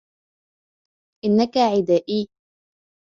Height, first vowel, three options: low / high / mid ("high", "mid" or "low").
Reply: high